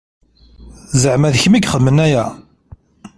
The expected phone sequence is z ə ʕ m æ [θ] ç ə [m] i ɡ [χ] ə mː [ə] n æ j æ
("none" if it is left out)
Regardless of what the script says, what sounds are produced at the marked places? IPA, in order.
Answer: ð, m, χ, ə

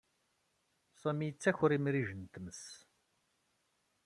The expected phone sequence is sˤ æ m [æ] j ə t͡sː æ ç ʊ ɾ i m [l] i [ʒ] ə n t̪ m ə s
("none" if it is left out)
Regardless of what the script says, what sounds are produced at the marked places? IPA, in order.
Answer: i, ɾ, ʒ

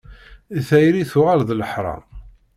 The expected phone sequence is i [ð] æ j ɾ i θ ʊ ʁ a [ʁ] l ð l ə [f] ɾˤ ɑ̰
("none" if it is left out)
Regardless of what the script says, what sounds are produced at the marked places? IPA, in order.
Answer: θ, none, ħ

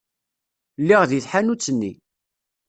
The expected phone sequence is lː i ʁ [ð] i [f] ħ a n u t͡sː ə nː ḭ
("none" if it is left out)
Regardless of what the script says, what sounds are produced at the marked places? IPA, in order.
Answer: ð, θ

